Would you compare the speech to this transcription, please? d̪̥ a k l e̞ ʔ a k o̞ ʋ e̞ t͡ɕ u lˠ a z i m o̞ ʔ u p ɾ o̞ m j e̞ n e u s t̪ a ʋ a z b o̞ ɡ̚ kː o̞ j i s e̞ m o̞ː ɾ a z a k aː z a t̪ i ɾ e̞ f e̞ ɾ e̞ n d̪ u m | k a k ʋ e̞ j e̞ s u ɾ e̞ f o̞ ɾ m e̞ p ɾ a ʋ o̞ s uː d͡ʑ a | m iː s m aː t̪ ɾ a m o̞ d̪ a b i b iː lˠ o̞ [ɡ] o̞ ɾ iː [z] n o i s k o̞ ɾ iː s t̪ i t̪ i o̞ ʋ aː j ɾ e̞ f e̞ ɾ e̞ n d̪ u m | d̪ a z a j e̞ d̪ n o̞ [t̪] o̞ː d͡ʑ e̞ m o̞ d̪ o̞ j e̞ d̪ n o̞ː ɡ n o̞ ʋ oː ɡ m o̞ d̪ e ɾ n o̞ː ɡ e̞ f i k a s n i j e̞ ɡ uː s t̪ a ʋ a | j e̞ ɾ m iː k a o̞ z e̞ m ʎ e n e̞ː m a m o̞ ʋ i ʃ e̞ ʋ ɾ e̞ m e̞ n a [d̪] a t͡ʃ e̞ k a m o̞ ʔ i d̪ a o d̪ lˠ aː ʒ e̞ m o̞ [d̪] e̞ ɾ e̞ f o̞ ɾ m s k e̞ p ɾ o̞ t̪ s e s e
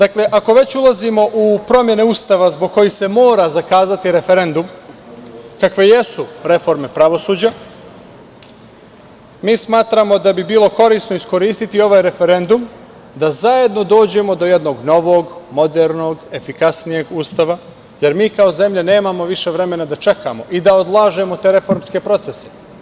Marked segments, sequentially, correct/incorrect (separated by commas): incorrect, incorrect, incorrect, correct, incorrect